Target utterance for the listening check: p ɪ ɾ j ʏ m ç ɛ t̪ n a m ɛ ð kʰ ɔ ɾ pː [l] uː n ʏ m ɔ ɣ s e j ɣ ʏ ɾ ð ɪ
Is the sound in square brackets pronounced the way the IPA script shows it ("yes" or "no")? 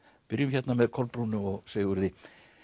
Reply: no